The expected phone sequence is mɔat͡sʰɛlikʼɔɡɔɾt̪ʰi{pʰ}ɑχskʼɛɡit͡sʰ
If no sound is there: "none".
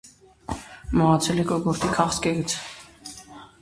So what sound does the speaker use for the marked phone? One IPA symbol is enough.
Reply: kʰ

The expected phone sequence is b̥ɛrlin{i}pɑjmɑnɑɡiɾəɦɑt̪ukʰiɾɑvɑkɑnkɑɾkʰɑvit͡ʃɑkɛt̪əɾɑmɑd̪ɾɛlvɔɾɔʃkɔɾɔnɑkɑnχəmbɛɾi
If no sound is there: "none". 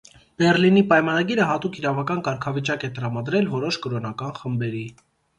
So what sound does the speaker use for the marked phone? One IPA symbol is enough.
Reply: i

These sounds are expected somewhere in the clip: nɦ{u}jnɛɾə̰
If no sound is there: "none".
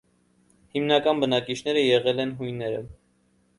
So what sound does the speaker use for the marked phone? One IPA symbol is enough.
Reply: u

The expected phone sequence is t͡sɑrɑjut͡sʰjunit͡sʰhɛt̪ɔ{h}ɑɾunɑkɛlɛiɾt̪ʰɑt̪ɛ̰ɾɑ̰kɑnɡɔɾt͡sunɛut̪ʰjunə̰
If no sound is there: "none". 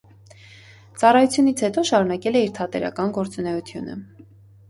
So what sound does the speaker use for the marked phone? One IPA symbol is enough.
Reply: ʃ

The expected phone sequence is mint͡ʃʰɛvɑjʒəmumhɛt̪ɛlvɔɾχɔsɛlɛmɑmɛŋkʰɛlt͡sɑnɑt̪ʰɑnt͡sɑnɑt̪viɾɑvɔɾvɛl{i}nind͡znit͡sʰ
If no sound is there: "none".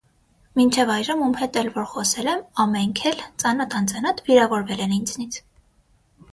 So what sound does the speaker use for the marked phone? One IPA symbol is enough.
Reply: ɛ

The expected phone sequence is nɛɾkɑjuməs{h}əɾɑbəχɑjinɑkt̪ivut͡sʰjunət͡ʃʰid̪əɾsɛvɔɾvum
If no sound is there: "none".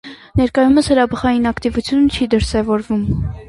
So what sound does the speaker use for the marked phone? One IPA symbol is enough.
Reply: h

